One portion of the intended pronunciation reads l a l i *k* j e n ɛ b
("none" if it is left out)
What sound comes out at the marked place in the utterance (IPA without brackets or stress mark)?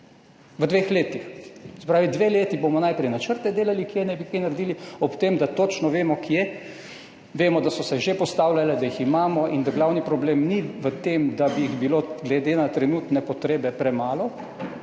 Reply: k